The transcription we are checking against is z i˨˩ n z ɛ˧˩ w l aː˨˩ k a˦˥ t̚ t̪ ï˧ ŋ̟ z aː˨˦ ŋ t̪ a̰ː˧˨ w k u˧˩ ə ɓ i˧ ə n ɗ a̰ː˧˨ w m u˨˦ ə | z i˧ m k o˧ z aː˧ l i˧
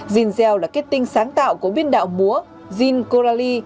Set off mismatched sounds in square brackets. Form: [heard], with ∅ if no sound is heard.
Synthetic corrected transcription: z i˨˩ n z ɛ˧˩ w l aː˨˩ k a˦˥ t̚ t̪ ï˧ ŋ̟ [s] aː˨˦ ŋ t̪ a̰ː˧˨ w k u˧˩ ə ɓ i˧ ə n ɗ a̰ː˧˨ w m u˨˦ ə | z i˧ [n] k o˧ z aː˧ l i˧